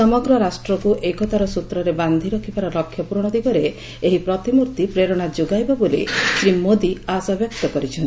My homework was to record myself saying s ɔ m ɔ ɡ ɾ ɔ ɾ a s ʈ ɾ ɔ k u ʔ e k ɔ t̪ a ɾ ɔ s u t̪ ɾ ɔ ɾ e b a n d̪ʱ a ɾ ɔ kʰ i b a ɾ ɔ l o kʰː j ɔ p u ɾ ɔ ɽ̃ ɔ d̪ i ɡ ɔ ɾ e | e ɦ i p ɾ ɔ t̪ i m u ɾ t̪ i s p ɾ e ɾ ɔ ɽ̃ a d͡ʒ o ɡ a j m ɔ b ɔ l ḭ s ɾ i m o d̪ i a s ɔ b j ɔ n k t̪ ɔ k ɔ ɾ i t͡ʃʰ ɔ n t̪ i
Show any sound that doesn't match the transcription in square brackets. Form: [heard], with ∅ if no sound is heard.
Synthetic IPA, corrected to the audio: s ɔ m ɔ ɡ ɾ ɔ ɾ a s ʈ ɾ ɔ k u ʔ e k ɔ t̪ a ɾ ɔ s u t̪ ɾ ɔ ɾ e b a n d̪ʱ [i] ɾ ɔ kʰ i b a ɾ ɔ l [ɔ] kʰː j ɔ p u ɾ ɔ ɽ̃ ɔ d̪ i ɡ ɔ ɾ e | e ɦ i p ɾ ɔ t̪ i m u ɾ t̪ i [∅] p ɾ e ɾ ɔ ɽ̃ a d͡ʒ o ɡ a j [b] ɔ b [o] l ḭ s ɾ i m o d̪ i a s ɔ b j ɔ [∅] k t̪ ɔ k ɔ ɾ i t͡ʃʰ ɔ n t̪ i